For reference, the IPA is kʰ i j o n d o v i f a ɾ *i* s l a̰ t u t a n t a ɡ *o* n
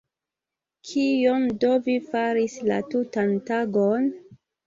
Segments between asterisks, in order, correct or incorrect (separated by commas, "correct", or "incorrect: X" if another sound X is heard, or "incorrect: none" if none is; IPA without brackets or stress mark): correct, correct